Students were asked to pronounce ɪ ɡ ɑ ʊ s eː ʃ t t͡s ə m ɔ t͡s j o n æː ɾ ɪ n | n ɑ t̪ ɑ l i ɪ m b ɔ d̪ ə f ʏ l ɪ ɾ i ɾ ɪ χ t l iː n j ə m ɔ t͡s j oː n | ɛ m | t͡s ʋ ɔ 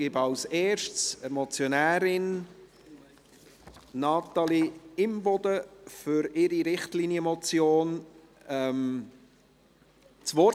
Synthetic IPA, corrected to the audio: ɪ b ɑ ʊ s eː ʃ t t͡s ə m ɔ t͡s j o n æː ɾ ɪ n | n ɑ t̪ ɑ l i ɪ m b ɔ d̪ ə f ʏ ɾ ɪ ɾ i ɾ ɪ χ t l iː n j ə m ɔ t͡s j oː n | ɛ m | t͡s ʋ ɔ